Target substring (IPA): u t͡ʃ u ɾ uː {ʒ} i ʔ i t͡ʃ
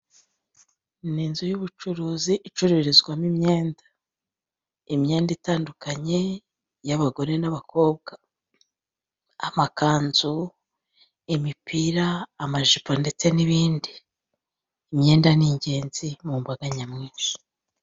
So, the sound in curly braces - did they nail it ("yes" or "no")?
no